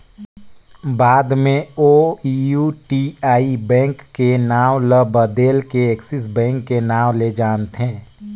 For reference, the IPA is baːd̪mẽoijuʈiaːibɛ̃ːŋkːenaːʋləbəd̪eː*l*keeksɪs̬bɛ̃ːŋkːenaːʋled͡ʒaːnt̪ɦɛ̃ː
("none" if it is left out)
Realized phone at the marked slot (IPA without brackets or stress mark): l